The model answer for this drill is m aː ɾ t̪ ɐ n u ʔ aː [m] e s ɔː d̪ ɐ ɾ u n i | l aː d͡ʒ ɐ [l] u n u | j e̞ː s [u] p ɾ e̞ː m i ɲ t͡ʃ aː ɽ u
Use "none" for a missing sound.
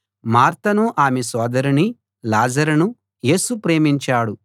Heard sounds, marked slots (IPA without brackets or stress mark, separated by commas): m, ɾ, u